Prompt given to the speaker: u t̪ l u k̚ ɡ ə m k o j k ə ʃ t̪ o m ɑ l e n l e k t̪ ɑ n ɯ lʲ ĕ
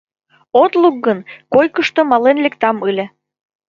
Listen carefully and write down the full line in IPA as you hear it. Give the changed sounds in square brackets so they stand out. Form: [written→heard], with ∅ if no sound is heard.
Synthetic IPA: [u→o] t̪ l u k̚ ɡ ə [m→n] k o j k ə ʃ t̪ o m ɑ l e n l e k t̪ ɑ [n→m] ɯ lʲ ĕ